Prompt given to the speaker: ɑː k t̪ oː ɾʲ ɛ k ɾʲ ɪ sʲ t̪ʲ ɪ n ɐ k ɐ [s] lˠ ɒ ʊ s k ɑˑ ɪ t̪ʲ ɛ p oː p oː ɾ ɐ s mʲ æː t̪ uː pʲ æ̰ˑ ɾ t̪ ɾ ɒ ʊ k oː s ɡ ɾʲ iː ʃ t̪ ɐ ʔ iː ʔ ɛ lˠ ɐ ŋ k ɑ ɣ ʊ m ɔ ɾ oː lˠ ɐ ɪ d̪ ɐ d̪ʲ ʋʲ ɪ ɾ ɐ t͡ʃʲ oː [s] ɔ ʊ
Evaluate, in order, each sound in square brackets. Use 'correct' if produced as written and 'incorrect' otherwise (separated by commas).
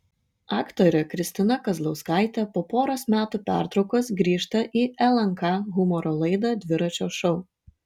incorrect, incorrect